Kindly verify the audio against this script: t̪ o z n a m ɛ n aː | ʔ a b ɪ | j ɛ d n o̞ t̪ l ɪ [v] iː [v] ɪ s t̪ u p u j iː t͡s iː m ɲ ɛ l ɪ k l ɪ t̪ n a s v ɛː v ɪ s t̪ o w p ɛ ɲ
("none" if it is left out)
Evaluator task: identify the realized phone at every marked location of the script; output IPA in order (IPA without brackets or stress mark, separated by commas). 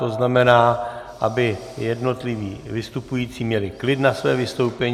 v, v